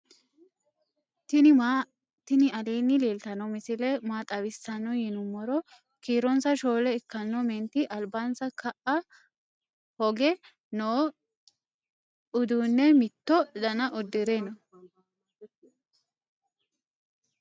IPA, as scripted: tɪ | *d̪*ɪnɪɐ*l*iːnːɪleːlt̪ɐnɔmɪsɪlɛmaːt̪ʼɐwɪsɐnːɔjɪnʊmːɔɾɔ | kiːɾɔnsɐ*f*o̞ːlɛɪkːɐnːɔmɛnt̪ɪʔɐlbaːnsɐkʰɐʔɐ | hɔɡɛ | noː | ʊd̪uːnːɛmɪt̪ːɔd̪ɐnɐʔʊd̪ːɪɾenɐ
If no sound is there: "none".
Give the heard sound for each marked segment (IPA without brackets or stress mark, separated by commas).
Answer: t̪, l, ʃ